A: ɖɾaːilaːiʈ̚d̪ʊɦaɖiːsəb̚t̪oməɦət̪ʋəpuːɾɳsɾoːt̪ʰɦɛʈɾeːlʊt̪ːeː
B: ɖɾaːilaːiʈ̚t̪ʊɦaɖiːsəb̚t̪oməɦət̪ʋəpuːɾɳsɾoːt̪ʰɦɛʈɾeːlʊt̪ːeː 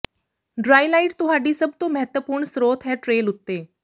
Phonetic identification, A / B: B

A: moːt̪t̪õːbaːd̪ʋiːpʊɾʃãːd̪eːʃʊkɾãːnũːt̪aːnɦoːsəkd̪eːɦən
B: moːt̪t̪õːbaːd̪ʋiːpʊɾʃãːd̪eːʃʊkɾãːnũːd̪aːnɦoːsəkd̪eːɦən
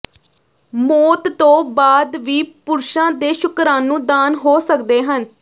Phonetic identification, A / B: B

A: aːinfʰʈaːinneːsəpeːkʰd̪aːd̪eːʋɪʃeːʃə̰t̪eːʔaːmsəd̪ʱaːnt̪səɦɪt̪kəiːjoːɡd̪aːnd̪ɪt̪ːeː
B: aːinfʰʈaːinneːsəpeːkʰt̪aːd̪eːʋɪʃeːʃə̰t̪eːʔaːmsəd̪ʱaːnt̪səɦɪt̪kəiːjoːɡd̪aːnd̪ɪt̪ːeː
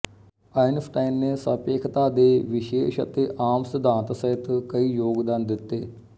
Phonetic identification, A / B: B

